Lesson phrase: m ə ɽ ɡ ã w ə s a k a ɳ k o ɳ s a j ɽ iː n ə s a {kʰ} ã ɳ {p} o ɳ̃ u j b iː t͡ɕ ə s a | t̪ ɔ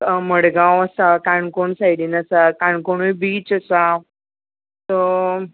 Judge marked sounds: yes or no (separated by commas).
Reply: no, no